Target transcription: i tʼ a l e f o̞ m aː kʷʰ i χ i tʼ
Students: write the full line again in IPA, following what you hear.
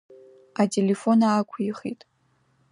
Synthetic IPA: a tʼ e l e f o̞ n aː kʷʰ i χ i tʼ